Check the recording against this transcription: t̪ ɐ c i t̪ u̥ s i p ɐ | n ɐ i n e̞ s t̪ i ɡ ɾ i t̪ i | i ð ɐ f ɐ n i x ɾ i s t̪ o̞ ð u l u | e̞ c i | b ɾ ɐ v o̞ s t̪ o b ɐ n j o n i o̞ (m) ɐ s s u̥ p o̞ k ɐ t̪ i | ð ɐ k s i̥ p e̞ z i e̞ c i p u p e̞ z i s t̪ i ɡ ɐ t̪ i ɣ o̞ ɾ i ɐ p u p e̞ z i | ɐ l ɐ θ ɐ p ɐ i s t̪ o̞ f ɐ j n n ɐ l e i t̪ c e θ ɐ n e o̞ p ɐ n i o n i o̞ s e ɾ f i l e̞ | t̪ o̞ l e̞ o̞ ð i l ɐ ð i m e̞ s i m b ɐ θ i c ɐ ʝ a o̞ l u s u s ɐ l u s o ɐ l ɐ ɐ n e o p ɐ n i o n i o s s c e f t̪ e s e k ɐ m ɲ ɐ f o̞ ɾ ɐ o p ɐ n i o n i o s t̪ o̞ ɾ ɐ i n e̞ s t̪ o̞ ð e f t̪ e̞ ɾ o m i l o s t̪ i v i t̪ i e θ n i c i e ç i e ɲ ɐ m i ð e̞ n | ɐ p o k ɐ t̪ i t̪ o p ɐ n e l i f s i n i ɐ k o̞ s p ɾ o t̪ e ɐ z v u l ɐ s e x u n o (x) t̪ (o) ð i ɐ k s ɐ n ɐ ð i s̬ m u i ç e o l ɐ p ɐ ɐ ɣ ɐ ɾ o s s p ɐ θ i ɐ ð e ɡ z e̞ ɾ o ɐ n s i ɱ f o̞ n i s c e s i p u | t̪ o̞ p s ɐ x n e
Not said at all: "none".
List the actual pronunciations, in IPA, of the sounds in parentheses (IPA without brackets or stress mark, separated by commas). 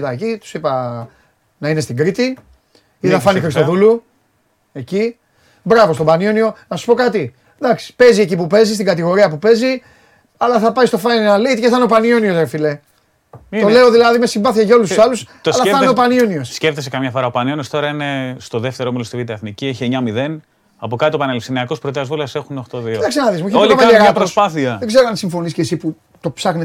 n, x, o